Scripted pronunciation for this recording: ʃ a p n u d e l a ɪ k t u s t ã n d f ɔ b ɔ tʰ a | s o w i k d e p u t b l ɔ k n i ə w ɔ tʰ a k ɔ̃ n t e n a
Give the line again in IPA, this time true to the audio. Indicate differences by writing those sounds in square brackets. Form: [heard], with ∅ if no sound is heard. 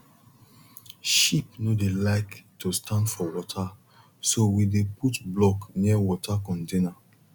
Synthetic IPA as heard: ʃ [i] p n [o] d e l a ɪ k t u s t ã n d f ɔ [w] ɔ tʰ a | s o w i [∅] d e p u t b l ɔ k n i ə w ɔ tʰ a k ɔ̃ n t e n a